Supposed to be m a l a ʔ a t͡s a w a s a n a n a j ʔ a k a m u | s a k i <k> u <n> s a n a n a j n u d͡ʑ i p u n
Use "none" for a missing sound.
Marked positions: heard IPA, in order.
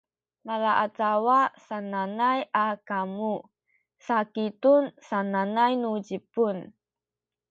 t, n

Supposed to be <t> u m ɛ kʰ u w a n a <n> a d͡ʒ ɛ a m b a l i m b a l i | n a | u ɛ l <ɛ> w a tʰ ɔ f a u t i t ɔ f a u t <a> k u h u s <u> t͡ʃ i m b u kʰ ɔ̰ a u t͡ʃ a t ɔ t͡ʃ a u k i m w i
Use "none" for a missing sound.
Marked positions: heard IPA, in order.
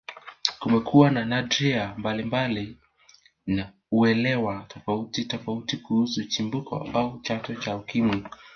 k, n, ɛ, i, u

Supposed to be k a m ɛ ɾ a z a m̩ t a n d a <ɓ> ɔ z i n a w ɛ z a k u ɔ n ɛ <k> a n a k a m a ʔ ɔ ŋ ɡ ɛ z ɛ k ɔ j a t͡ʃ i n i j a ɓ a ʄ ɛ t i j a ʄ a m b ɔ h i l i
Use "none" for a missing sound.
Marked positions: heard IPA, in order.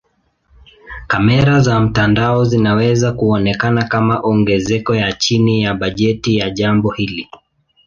none, k

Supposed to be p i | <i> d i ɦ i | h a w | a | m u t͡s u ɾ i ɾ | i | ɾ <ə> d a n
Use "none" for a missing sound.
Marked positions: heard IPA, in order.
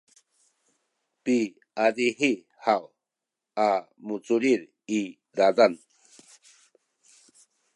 a, a

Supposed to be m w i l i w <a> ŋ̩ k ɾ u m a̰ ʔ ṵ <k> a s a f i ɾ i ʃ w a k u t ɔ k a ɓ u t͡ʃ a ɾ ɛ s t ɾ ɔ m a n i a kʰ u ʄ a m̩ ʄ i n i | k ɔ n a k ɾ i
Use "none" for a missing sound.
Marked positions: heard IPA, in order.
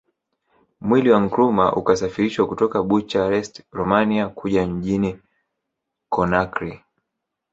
a, k

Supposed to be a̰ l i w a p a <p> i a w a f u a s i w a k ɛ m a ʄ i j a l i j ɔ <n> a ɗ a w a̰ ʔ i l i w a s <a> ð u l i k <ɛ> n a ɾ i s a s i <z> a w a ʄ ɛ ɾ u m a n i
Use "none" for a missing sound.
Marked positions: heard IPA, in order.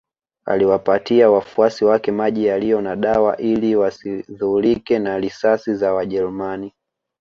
t, n, i, ɛ, z

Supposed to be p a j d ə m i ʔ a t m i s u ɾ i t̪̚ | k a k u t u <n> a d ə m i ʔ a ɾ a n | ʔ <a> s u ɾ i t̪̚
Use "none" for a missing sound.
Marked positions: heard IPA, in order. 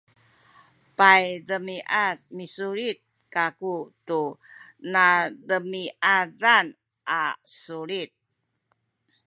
n, a

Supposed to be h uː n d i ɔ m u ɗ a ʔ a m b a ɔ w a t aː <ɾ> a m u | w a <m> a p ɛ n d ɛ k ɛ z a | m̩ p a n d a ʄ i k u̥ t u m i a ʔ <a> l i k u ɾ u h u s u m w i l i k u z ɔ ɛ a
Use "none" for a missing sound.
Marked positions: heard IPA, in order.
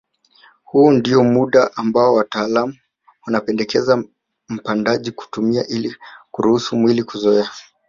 l, n, i

